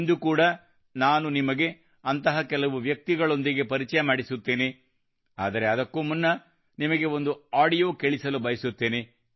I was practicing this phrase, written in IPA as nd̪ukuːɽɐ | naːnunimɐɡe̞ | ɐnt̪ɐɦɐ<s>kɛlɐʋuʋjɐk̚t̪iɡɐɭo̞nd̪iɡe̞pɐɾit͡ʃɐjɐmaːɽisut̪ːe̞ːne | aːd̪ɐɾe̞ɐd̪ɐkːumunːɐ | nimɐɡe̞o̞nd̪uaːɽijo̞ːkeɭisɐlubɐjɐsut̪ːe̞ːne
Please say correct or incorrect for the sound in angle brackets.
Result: incorrect